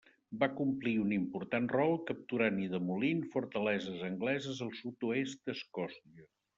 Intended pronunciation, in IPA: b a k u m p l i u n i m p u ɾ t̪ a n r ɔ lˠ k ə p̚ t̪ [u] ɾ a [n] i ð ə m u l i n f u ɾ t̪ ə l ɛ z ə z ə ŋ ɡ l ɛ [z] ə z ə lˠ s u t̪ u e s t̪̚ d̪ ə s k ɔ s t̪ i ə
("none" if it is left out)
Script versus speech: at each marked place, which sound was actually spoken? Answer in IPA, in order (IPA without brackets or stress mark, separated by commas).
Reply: u, n, z